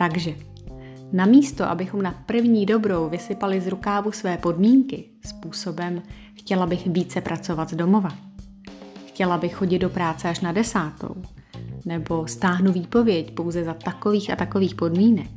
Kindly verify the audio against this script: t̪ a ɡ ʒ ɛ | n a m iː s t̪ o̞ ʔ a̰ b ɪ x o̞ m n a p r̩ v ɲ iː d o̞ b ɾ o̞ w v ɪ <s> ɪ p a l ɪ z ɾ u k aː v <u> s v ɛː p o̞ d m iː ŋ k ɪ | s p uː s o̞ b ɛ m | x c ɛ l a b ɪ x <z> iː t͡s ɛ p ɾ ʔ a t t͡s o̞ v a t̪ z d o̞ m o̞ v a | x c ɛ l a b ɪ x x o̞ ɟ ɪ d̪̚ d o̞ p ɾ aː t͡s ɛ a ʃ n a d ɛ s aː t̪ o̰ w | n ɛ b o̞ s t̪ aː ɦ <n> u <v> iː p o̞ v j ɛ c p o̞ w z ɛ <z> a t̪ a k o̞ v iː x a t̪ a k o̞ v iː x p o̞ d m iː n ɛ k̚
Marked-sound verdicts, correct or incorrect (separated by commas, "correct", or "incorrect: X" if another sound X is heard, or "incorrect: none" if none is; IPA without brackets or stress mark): correct, correct, incorrect: v, correct, correct, correct